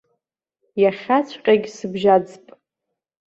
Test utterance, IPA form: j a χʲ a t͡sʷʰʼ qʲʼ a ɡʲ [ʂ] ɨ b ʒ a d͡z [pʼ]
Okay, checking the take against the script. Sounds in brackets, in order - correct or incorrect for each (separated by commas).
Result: incorrect, correct